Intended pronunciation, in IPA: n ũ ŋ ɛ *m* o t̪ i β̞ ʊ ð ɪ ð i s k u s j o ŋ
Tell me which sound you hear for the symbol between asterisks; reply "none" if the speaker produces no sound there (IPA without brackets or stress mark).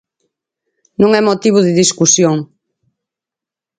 m